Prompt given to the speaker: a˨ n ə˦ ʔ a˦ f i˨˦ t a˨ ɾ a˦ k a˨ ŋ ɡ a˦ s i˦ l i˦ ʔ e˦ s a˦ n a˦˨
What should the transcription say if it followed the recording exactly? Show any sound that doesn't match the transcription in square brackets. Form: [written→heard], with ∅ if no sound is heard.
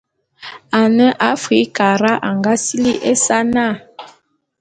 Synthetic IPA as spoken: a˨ n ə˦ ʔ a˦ f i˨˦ [t→k] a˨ ɾ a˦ [k→ʔ] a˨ ŋ ɡ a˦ s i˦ l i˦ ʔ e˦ s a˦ n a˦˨